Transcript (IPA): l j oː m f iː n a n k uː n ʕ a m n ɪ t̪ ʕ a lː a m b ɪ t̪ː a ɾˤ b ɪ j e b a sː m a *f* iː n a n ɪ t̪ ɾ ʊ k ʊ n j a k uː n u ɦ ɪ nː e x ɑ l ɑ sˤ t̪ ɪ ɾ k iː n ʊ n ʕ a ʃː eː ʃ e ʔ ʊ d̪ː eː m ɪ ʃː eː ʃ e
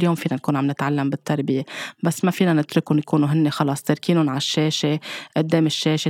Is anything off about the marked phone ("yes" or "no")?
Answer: no